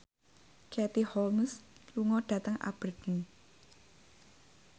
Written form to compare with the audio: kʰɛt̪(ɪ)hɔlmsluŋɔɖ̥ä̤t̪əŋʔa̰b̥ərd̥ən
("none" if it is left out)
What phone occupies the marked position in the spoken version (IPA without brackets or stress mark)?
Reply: i